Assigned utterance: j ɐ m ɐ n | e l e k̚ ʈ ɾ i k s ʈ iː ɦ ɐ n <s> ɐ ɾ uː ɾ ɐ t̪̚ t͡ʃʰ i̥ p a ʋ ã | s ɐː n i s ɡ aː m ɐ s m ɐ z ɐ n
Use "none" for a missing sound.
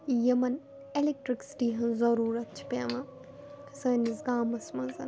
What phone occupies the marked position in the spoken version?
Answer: z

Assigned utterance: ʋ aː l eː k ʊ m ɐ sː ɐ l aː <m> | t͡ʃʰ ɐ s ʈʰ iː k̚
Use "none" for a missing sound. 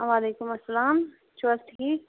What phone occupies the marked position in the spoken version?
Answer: m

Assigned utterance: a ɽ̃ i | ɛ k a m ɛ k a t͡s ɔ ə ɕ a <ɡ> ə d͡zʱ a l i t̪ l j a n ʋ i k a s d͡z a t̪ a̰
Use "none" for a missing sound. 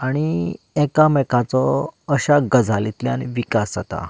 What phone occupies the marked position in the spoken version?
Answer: ɡ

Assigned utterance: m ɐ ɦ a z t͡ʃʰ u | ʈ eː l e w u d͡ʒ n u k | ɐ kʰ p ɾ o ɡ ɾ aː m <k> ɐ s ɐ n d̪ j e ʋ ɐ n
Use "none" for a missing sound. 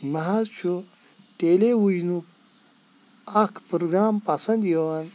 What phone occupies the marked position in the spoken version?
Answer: p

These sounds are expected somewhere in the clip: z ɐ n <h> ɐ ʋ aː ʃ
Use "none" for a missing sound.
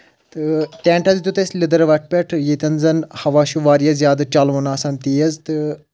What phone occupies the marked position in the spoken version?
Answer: h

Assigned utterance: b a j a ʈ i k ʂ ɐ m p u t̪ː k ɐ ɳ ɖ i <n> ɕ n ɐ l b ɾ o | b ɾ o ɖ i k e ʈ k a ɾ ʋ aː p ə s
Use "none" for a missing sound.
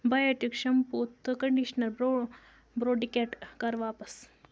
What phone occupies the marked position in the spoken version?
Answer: none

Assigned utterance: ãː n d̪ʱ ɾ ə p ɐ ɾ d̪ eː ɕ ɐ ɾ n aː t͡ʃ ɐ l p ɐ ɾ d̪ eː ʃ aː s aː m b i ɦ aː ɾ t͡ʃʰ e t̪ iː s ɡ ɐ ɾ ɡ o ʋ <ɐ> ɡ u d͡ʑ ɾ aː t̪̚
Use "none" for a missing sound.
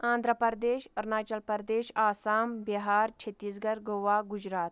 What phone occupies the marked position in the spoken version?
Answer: a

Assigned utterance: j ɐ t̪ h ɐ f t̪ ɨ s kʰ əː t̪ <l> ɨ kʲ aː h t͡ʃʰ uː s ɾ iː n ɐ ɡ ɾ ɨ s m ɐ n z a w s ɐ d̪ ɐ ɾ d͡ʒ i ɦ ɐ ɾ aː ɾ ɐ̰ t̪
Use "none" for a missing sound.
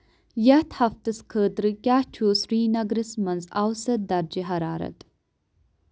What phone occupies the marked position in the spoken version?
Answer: ɾ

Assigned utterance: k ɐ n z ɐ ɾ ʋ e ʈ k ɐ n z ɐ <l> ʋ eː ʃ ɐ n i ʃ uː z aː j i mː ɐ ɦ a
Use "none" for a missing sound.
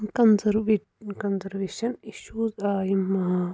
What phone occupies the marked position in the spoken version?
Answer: ɾ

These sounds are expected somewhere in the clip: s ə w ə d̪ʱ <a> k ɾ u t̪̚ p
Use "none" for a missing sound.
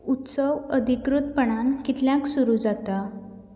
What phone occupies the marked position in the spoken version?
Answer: i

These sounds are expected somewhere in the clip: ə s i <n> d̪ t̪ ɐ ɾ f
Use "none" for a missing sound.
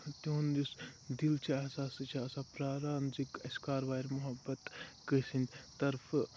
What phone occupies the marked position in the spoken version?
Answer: n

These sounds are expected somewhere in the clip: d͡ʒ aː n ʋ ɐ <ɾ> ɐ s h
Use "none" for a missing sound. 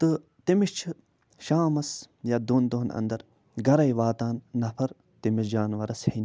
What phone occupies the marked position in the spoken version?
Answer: ɾ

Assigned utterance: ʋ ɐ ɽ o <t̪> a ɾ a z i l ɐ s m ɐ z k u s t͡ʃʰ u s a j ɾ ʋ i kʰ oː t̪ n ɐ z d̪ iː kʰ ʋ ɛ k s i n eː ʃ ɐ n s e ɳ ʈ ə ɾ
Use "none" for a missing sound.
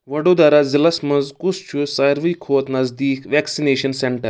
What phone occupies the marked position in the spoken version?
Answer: d̪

